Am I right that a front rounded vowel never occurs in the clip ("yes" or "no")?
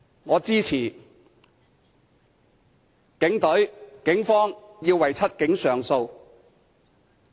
no